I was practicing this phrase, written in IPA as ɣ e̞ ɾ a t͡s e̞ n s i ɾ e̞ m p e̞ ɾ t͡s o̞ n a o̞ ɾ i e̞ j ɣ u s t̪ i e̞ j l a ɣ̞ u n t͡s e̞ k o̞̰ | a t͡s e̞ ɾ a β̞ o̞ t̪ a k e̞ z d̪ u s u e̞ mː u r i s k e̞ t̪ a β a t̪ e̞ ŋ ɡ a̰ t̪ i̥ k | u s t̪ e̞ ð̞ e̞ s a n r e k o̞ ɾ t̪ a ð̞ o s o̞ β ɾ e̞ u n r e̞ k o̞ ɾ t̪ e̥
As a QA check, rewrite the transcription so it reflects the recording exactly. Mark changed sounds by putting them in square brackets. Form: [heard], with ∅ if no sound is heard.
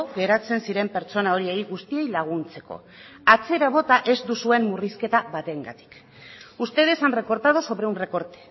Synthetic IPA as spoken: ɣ e̞ ɾ a t͡s e̞ n s i ɾ e̞ m p e̞ ɾ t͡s o̞ n a o̞ ɾ i e̞ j ɣ u s t̪ i e̞ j l a ɣ̞ u n t͡s e̞ k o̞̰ | a t͡s e̞ ɾ a β̞ o̞ t̪ a [ʔ] e̞ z d̪ u s u e̞ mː u r i s k e̞ t̪ a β a t̪ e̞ ŋ ɡ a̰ t̪ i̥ k | u s t̪ e̞ ð̞ e̞ s a n r e k o̞ ɾ t̪ a ð̞ o s o̞ β ɾ e̞ u n r e̞ k o̞ ɾ t̪ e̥